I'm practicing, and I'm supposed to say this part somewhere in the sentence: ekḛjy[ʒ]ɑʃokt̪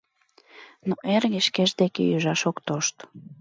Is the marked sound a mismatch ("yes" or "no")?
no